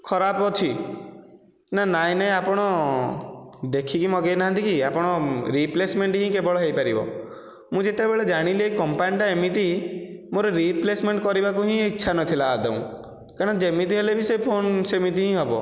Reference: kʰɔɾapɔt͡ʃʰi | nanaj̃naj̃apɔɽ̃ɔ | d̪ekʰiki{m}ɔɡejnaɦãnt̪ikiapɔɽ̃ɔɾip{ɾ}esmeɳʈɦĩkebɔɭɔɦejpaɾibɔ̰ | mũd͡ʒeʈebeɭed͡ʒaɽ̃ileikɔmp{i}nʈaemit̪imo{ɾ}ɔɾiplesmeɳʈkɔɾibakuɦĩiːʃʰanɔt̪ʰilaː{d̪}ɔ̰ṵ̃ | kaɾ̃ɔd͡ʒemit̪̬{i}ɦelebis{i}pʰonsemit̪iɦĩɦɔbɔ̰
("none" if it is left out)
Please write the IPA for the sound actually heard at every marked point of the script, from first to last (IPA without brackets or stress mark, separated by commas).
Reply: m, l, a, ɾ, d̪, i, e